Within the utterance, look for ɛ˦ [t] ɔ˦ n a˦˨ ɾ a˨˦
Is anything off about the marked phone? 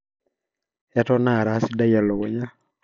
no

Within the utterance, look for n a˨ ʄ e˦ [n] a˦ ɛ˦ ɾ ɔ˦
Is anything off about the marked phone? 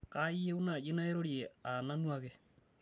no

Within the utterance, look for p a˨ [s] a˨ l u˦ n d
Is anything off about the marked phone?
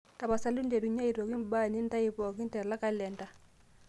no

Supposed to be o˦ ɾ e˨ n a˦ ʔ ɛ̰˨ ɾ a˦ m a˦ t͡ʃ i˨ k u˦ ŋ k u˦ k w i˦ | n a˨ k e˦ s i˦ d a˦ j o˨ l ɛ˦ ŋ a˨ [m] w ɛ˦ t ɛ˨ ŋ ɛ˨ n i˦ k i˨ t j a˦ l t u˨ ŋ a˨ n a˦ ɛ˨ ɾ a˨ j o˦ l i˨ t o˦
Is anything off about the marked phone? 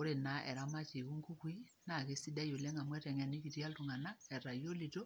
no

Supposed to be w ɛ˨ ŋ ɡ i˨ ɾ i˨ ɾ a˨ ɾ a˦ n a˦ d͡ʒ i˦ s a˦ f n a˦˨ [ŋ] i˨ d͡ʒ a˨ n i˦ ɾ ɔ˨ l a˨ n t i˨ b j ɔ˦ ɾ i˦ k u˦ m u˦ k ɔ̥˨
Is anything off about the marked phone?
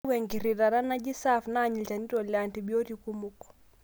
yes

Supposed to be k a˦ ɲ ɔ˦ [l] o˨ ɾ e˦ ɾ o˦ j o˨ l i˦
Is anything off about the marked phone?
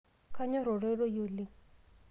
yes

